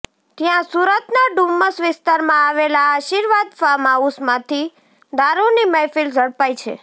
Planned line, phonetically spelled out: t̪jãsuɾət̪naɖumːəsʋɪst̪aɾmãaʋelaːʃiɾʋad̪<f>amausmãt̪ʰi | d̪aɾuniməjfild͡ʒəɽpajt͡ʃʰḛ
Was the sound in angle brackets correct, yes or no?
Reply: yes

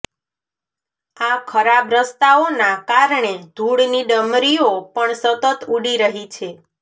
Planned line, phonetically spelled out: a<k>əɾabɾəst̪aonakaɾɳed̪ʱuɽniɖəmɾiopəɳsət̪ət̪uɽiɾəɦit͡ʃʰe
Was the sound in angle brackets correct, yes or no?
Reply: no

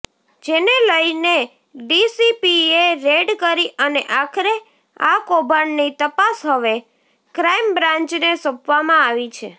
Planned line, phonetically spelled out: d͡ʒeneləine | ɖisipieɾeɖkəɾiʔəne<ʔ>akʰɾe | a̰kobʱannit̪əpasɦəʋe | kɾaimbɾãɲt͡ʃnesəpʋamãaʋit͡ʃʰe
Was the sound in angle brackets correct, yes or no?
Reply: yes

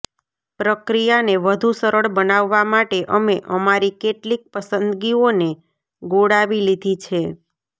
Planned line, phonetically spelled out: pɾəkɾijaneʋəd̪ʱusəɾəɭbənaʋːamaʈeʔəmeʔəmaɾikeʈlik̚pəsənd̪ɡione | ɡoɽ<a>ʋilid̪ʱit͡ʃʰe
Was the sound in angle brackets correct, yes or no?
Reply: yes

